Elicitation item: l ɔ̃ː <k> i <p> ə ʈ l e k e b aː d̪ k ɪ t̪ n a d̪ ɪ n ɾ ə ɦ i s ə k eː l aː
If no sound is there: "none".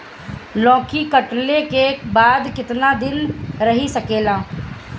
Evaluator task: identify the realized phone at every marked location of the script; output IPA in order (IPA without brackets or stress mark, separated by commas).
k, k